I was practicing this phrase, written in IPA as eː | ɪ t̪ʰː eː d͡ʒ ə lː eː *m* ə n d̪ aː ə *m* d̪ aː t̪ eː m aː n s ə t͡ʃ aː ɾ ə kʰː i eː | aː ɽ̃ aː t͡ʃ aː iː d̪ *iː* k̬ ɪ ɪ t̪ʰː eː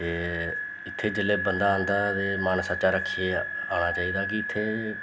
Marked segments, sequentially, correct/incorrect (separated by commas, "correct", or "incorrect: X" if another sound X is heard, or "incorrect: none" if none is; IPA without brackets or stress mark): incorrect: b, incorrect: n, incorrect: aː